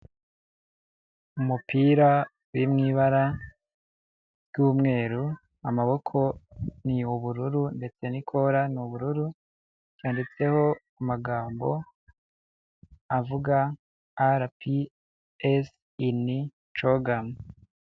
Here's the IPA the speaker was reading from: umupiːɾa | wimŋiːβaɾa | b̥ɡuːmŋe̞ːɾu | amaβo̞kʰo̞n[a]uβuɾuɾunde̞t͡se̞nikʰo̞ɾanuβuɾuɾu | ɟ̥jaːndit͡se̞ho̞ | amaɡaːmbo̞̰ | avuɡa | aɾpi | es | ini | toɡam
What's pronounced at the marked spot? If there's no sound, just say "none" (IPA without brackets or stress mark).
i